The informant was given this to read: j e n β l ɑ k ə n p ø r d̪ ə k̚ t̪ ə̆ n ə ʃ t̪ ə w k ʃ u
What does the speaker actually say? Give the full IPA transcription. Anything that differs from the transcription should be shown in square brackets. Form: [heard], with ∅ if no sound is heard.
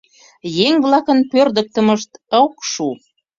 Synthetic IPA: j e [ŋ] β l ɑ k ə n p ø r d̪ ə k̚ t̪ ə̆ [m] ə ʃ t̪ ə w k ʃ u